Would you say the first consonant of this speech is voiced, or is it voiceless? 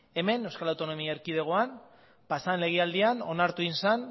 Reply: voiced